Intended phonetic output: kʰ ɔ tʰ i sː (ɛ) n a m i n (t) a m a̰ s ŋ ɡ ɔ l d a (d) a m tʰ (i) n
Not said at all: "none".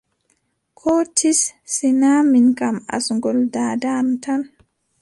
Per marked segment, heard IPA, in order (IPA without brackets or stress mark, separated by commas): i, k, d, a